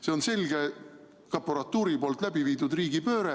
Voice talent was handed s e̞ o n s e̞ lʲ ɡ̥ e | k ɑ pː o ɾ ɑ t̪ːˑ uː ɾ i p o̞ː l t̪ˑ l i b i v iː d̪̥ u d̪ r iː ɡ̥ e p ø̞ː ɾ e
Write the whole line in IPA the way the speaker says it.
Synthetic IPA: s e̞ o n s e̞ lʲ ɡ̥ e | k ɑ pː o ɾ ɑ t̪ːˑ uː ɾ i p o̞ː l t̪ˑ l æ b i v iː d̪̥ u d̪ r iː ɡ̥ i p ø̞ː ɾ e